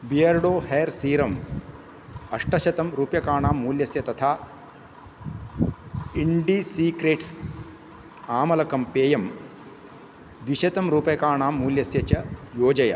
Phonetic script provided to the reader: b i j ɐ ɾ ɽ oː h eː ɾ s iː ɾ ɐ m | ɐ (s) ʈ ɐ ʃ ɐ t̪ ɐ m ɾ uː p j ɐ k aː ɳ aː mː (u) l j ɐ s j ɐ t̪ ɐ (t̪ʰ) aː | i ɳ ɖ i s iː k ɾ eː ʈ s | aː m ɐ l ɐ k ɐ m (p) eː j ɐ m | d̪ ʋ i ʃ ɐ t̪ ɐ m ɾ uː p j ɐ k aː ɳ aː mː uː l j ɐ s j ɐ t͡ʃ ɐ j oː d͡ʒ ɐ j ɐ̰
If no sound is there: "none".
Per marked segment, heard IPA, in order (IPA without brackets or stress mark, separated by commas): ʂ, uː, t̪ʰ, p